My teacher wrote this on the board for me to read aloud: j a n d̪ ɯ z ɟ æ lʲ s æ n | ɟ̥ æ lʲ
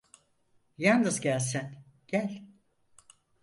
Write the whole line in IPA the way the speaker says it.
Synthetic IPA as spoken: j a n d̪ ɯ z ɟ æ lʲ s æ n | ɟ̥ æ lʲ